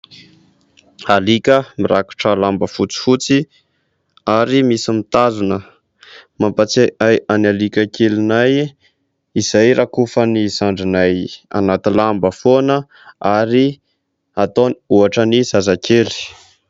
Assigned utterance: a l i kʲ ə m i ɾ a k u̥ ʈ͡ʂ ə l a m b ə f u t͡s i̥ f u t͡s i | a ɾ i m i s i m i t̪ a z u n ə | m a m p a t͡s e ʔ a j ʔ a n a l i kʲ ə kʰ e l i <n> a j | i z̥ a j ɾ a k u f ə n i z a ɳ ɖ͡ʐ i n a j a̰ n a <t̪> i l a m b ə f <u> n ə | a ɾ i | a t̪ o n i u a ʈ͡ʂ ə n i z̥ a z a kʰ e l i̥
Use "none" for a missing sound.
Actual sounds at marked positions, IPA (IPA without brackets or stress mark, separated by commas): n, t̪, o